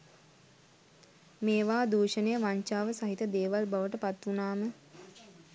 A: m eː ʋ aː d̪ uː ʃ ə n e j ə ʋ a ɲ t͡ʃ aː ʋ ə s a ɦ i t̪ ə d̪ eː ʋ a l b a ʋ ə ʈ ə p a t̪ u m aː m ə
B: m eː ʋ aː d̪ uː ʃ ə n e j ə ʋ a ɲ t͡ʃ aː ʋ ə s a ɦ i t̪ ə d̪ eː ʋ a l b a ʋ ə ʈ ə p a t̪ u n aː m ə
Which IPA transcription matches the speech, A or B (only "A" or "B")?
B